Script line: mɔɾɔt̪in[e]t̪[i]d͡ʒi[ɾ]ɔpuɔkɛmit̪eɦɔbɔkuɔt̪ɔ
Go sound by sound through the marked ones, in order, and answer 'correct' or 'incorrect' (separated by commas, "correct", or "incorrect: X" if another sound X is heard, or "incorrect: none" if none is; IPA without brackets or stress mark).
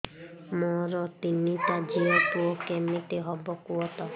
incorrect: i, incorrect: a, incorrect: none